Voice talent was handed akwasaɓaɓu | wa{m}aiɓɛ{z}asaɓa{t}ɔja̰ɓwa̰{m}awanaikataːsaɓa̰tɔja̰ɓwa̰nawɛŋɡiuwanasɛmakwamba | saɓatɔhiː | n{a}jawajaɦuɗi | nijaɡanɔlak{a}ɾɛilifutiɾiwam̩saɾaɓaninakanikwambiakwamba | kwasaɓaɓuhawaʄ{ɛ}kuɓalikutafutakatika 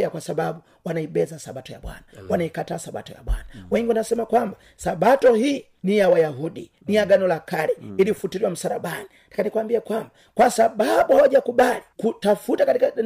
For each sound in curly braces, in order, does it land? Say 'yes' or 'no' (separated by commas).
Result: no, yes, yes, no, no, yes, no